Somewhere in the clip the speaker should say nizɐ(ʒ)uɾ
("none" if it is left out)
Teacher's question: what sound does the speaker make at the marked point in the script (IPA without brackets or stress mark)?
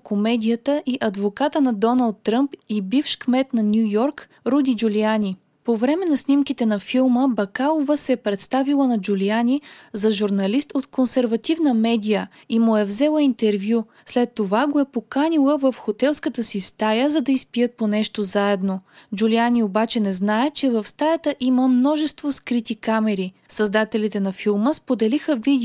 ʒ